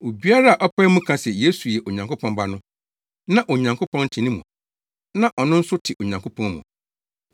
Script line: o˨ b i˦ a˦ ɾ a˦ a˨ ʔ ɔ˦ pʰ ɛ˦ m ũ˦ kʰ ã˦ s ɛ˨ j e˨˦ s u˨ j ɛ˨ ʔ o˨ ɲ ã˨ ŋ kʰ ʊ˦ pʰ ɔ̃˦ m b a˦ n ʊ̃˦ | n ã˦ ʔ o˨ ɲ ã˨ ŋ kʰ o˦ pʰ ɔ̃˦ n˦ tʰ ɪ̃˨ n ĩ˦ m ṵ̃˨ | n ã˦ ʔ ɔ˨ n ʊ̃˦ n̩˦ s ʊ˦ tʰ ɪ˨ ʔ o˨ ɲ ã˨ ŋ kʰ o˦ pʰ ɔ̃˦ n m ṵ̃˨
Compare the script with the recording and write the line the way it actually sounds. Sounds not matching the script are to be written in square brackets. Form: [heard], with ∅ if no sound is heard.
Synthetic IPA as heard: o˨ b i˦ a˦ ɾ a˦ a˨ ʔ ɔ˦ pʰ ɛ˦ m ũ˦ kʰ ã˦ s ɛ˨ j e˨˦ s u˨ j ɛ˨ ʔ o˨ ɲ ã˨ ŋ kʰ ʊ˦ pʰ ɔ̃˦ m b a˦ n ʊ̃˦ | n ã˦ ʔ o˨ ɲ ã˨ ŋ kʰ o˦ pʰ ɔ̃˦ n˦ tʰ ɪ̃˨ n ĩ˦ m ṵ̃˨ | n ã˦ ʔ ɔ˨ n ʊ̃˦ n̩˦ s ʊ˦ tʰ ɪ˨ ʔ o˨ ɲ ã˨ ŋ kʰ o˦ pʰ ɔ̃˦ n m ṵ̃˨